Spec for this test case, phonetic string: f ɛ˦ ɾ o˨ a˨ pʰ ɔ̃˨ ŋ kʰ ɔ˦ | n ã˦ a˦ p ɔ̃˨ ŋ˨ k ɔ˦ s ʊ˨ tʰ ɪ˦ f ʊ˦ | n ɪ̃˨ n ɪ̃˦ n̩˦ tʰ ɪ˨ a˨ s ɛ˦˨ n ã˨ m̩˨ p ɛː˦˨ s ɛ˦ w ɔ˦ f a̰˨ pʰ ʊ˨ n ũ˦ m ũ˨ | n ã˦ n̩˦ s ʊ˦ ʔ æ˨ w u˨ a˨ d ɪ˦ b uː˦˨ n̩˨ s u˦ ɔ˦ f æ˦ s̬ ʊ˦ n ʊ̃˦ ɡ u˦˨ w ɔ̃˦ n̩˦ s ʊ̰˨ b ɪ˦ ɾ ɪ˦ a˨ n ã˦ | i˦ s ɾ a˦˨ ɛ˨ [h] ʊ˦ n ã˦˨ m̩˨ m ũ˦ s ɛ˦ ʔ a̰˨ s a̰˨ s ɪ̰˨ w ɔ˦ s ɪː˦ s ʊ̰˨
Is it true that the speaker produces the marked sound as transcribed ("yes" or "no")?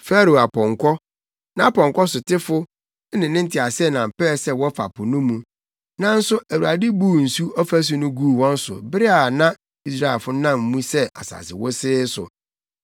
no